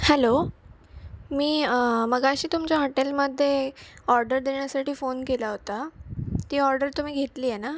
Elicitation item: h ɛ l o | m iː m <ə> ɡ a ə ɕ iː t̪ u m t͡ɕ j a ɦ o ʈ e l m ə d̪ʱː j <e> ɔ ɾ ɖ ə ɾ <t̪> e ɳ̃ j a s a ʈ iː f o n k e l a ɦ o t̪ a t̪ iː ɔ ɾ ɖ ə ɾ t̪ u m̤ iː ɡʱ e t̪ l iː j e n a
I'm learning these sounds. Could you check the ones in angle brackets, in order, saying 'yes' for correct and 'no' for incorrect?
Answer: yes, yes, no

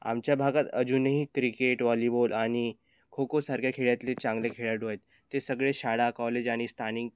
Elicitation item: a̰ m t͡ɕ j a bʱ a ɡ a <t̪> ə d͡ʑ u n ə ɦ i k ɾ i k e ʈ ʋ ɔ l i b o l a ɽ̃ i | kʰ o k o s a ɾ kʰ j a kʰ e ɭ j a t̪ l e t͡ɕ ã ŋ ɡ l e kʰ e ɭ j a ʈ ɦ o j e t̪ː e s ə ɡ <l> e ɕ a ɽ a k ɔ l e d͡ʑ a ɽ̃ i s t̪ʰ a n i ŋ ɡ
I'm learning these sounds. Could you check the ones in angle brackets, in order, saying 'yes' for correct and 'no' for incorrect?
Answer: yes, no

